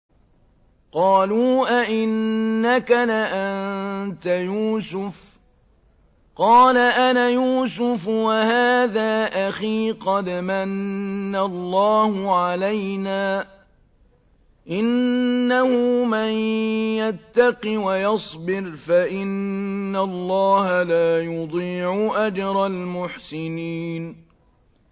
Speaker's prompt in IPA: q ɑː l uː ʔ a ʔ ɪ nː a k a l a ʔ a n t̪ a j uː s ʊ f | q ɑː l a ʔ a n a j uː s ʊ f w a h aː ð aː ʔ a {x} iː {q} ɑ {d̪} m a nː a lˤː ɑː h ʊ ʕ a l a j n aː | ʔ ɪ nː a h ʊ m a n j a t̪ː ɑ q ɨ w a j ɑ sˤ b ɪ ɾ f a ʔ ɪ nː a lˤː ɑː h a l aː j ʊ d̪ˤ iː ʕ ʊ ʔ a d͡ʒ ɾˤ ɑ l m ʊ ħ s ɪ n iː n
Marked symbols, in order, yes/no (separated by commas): yes, yes, yes